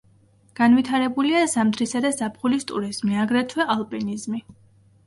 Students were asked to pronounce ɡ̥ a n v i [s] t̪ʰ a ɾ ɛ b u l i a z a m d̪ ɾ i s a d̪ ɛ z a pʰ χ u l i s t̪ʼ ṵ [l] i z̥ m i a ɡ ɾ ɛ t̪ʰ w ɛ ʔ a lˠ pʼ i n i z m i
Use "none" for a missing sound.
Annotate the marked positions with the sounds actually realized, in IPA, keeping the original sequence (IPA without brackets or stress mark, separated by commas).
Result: none, ɾ